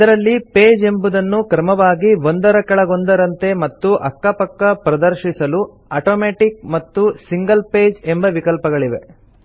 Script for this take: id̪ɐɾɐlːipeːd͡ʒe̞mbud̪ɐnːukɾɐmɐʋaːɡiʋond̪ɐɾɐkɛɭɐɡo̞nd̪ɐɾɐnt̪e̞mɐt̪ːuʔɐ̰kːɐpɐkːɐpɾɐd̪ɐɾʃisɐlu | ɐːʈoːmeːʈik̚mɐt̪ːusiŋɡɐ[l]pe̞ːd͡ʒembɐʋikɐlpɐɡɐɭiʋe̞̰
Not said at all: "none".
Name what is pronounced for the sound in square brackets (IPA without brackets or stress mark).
l